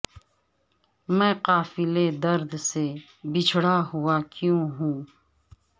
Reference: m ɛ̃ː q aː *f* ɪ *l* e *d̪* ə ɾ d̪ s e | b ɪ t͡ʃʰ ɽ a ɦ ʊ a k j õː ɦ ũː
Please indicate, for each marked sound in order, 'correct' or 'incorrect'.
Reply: correct, correct, correct

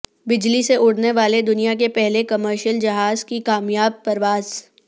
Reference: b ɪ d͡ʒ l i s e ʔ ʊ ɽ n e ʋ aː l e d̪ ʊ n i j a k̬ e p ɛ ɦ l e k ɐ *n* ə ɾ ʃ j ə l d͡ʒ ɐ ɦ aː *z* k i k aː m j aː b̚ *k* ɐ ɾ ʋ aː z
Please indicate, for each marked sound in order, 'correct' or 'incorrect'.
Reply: incorrect: m, correct, incorrect: p

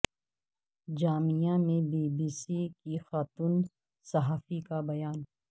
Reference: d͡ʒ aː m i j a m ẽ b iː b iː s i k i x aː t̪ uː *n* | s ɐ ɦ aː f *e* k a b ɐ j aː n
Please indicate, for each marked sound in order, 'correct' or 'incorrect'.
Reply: correct, incorrect: i

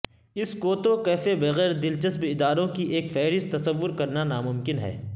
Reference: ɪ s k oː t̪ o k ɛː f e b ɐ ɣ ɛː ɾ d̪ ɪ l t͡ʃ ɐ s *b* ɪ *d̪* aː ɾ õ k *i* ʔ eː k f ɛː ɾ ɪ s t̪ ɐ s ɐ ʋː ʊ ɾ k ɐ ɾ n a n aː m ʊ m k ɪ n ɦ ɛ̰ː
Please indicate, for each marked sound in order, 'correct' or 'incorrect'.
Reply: correct, correct, correct

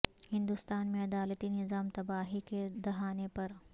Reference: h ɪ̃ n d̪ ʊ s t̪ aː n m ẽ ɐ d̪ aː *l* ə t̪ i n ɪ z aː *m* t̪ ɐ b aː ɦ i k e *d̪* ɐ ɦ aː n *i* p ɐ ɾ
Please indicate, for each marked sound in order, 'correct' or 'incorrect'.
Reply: correct, correct, correct, incorrect: e

